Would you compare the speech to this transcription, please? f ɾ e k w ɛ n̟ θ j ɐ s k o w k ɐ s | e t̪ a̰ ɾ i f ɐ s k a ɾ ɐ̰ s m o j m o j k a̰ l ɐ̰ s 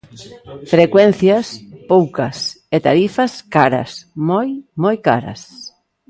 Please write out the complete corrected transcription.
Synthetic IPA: f ɾ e k w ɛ n̟ θ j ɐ s p o w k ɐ s | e t̪ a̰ ɾ i f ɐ s k a ɾ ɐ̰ s m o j m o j k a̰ ɾ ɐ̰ s